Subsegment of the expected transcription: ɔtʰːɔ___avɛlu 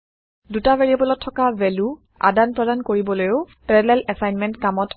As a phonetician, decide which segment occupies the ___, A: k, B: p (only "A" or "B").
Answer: A